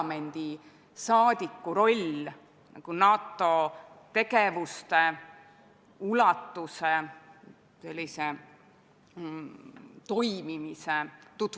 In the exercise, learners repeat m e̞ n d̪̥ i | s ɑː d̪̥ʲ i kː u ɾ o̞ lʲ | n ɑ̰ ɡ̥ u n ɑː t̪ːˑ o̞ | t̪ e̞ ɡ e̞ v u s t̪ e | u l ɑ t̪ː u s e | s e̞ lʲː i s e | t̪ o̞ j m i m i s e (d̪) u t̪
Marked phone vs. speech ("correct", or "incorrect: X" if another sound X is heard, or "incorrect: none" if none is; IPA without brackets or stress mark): incorrect: t̪